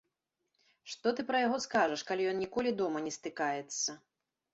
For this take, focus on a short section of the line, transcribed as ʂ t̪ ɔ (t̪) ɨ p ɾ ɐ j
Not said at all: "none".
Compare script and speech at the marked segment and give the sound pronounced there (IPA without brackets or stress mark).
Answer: t̪